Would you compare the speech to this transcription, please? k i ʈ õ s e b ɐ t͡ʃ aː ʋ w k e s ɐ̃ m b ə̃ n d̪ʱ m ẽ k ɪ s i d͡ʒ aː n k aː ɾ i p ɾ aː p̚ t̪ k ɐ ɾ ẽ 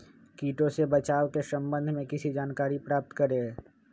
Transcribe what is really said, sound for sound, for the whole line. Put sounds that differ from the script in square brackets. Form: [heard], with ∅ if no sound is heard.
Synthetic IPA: k [iː] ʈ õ s e b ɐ t͡ʃ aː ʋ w k e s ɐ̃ m b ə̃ n d̪ʱ m ẽ k ɪ s i d͡ʒ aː n k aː ɾ i p ɾ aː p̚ t̪ k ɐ ɾ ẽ

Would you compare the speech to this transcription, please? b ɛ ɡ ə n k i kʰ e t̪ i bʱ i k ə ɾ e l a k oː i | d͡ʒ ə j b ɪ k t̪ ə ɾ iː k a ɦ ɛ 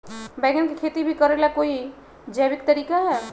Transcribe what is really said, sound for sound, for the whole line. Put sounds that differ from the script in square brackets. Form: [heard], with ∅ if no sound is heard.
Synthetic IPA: b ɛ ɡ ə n k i kʰ e t̪ i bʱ i k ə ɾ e l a k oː i | d͡ʒ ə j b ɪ k t̪ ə ɾ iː k a ɦ ɛ

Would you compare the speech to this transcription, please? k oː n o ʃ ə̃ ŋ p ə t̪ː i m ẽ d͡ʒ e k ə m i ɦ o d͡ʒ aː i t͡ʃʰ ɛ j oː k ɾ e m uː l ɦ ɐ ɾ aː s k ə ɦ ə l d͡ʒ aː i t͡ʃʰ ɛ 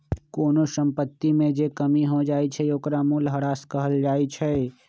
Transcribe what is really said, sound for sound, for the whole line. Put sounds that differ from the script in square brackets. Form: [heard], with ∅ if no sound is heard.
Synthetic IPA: k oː n o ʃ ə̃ [m] p ə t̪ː i m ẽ d͡ʒ e k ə m i ɦ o d͡ʒ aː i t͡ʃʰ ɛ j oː k ɾ [a] m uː l ɦ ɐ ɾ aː s k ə ɦ ə l d͡ʒ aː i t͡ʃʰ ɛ

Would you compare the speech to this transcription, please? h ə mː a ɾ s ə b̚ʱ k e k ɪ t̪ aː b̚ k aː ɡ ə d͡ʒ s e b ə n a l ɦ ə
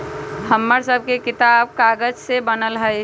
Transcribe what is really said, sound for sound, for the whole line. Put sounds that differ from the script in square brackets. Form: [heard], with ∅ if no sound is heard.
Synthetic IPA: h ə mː [ə] ɾ s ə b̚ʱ k e k ɪ t̪ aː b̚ k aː ɡ ə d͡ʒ s e b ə n [ə] l ɦ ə

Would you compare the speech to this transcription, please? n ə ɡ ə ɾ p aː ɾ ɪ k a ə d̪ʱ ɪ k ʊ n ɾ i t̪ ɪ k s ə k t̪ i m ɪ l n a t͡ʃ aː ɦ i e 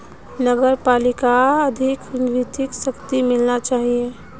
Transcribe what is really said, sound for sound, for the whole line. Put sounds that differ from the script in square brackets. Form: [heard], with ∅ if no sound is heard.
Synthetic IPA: n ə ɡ ə ɾ p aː [l] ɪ k a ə d̪ʱ ɪ k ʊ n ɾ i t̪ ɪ k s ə k t̪ i m ɪ l n a t͡ʃ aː ɦ i e

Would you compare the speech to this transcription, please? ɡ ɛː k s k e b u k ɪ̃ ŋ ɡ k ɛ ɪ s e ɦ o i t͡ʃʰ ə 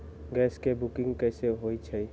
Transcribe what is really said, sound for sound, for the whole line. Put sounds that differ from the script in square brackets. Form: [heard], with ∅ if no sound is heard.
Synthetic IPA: ɡ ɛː [∅] s k e b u k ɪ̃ ŋ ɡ k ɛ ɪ s e ɦ o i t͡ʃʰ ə

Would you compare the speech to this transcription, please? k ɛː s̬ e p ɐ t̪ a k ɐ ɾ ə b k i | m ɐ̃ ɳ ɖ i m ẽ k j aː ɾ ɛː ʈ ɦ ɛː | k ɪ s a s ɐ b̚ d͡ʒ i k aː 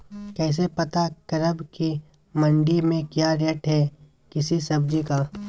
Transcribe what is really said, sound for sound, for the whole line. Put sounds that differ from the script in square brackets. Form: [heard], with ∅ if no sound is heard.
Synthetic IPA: k ɛː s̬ e p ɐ t̪ a k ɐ ɾ ə b k i | m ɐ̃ ɳ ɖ i m ẽ k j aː ɾ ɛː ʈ ɦ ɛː | k ɪ s [i] s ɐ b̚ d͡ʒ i k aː

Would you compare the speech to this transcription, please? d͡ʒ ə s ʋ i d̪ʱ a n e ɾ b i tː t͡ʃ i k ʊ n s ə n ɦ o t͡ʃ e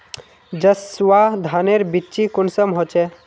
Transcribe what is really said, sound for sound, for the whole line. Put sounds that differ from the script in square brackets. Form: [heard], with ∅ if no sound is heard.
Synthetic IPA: d͡ʒ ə s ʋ [a] d̪ʱ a n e ɾ b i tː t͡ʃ i k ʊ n s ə [m] ɦ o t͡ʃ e

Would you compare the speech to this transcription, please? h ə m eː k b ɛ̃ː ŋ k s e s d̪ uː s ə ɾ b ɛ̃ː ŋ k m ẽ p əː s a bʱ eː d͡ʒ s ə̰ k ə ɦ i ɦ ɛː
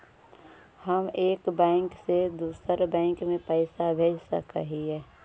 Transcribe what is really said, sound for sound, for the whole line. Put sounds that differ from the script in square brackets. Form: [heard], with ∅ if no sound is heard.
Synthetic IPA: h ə m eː k b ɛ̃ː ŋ k s e [∅] d̪ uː s ə ɾ b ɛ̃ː ŋ k m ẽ p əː s a bʱ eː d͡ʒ s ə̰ k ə ɦ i ɦ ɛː

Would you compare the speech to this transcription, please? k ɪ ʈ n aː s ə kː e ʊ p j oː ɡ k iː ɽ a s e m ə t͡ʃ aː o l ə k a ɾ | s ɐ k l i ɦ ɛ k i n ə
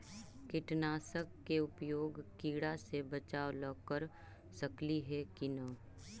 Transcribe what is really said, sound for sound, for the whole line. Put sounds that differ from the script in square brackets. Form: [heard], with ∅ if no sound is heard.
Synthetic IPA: k ɪ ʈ n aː s ə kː e ʊ p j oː ɡ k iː ɽ a s e [b] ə t͡ʃ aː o l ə k [ə] ɾ | s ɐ k l i ɦ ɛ k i n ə

